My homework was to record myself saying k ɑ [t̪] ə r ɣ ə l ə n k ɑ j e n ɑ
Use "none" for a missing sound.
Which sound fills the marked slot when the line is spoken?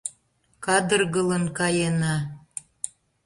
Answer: d̪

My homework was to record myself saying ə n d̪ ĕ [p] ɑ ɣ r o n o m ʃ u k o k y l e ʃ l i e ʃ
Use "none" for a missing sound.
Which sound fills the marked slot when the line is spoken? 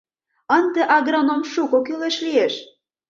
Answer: ʔ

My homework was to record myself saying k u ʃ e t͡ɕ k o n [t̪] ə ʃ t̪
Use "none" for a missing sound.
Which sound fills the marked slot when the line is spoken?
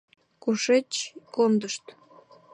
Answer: d̪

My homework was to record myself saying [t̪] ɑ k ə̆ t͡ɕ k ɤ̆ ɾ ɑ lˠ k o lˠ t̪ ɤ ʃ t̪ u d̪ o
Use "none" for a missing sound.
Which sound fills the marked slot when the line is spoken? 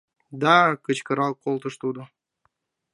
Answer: d̪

